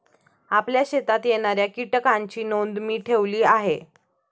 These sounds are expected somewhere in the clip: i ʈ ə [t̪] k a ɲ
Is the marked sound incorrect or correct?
incorrect